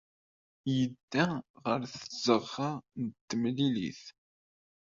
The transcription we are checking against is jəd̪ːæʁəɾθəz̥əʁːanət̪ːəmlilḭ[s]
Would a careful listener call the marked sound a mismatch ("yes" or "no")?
yes